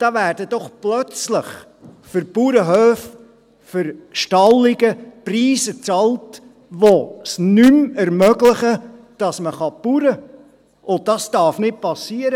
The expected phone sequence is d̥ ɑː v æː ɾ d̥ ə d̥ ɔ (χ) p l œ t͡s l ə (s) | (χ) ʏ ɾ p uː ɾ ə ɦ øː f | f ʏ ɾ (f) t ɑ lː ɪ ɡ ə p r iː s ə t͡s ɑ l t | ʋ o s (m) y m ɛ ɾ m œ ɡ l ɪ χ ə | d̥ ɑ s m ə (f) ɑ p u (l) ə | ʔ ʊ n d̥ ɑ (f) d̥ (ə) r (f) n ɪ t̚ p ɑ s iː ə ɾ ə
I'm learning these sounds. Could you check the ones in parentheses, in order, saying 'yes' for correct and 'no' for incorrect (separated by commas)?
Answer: yes, no, no, no, no, no, no, no, no, yes